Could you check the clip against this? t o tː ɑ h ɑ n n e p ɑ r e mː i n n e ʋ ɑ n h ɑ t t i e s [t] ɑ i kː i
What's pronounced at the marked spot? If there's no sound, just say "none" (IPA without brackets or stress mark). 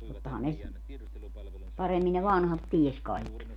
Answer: k